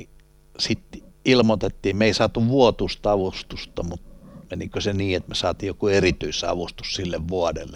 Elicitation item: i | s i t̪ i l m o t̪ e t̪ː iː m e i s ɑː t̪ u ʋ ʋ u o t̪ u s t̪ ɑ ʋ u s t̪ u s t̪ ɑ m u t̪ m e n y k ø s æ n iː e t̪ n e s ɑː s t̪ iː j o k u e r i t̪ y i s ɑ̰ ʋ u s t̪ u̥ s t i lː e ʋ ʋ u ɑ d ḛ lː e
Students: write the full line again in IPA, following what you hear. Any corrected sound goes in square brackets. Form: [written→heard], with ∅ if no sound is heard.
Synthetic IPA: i | s i t̪ i l m o t̪ e t̪ː iː m e i s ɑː t̪ u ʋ ʋ u o t̪ u s t̪ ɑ ʋ u s t̪ u s t̪ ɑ m u t̪ m e n [y→i] k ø s [æ→e] n iː e t̪ [n→m] e s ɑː [s→∅] t̪ iː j o k u e r i t̪ y i s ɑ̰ ʋ u s t̪ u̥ s [t→s] i lː e ʋ ʋ u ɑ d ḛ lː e